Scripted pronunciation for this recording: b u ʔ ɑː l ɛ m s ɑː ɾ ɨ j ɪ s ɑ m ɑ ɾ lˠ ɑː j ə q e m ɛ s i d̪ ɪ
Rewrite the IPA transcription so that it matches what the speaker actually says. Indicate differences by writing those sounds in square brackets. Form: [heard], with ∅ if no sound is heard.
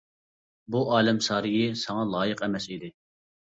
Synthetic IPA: b u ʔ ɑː l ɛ m s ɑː ɾ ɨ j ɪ s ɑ [ŋ] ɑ [∅] lˠ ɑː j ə q [ɛ] m ɛ s i d̪ ɪ